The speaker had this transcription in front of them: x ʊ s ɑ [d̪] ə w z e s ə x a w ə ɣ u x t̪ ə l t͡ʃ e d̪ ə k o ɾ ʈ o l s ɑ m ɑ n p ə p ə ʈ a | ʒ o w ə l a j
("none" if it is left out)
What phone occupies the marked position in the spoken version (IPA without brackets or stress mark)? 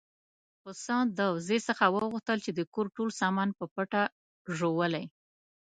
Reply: d̪